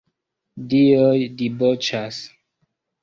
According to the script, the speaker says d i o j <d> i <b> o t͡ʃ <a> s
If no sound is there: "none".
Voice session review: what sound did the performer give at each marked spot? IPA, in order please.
d, b, a

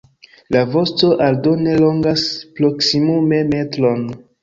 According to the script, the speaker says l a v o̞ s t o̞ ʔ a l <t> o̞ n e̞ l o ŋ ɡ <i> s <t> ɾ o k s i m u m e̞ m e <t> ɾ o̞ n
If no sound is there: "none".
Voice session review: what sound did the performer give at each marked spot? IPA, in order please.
d, a, p, t

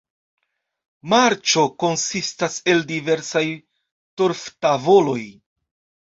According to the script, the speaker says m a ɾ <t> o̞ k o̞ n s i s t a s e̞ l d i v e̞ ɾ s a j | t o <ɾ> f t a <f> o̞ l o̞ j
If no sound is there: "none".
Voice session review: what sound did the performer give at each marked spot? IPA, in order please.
t͡ʃ, ɾ, v

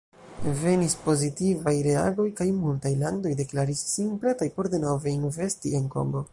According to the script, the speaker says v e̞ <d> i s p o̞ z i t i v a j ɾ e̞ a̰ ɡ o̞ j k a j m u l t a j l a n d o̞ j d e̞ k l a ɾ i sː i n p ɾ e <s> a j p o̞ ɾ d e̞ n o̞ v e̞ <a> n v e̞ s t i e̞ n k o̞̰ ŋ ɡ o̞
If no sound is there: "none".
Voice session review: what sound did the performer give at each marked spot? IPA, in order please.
n, t, i

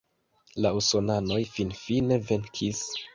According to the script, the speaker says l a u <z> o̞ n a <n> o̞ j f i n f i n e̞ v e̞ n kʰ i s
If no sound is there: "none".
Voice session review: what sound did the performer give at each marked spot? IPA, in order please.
s, n

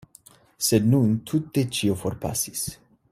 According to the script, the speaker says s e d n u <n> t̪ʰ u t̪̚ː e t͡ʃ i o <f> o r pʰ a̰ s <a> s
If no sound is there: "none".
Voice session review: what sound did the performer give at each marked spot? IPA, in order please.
n, f, i

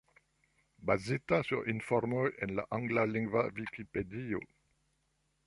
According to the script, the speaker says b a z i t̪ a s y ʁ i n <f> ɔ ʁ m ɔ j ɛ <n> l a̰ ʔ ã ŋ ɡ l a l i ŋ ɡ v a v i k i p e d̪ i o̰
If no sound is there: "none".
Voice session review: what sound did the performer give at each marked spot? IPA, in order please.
f, n

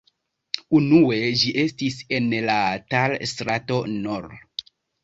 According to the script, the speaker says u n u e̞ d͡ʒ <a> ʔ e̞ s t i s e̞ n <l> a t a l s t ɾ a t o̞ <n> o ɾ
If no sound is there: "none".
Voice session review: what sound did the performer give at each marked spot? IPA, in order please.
i, l, n

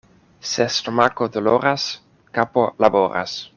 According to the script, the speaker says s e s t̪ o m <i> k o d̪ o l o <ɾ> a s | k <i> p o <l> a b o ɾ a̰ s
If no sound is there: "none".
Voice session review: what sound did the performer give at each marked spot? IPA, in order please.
a, ɾ, a, l

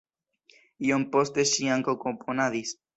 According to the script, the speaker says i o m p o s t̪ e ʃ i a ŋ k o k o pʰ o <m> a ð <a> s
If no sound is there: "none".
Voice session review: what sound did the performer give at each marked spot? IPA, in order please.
n, i

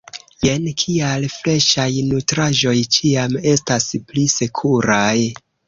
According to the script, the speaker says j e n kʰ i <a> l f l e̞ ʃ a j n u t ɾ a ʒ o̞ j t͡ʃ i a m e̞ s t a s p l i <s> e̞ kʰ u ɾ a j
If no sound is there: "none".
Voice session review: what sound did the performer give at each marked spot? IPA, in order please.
a, s

